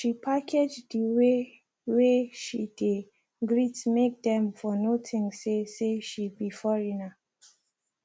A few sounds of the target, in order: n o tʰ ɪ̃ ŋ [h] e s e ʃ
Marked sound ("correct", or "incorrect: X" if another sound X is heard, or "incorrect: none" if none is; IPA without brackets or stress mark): incorrect: s